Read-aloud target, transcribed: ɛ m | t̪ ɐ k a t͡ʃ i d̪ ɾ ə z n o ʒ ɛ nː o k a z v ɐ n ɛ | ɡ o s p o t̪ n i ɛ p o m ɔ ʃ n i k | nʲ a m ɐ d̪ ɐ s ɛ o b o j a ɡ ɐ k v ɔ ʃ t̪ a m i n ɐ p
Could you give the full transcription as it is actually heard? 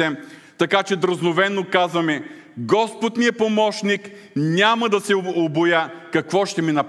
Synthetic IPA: ɛ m | t̪ ɐ k a t͡ʃ ɛ d̪ ɾ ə z n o v ɛ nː o k a z v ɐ m ɛ | ɡ ɔ s p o t̪ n i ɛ p o m ɔ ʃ n i k | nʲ a m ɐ d̪ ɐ s ɛ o b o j a k ɐ k v ɔ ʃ t̪ ɛ m i n ɐ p